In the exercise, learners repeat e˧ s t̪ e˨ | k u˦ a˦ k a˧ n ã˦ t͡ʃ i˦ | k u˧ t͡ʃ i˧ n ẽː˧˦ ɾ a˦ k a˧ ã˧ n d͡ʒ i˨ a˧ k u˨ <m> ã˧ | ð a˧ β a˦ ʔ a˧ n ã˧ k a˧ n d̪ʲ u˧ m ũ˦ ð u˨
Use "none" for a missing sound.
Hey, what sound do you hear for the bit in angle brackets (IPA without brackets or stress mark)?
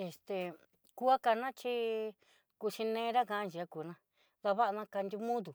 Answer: n